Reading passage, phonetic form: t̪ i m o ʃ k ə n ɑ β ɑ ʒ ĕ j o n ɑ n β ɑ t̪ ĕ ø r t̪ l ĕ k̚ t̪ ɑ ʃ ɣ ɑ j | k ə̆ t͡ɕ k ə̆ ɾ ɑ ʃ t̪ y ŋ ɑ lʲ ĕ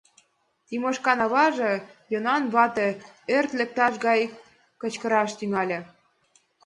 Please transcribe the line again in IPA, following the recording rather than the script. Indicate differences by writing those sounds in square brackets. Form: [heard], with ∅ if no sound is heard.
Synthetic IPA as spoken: t̪ i m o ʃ k [ɑ] n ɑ β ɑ ʒ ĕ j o n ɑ n β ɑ t̪ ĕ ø r t̪ l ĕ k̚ t̪ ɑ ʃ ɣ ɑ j | k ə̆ t͡ɕ k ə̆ ɾ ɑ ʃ t̪ y ŋ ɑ lʲ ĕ